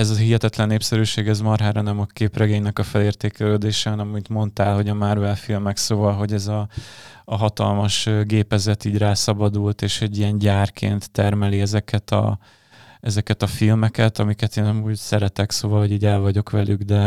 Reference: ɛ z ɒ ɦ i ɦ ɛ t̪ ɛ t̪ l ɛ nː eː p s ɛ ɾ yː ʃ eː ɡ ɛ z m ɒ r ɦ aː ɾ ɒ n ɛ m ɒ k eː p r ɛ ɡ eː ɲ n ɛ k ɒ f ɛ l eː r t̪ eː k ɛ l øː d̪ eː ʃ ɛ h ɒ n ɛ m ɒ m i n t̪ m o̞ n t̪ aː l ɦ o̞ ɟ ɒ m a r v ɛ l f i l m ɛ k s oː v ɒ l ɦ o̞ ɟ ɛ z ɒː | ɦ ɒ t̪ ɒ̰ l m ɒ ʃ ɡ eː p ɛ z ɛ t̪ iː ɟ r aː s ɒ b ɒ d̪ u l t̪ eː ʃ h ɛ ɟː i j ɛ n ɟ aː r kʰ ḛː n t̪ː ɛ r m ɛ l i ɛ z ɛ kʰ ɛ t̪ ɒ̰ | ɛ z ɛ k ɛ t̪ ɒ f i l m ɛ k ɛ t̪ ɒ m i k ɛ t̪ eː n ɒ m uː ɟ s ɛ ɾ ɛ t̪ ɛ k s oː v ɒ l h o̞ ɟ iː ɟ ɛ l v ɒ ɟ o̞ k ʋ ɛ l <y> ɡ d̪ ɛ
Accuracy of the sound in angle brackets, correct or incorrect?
correct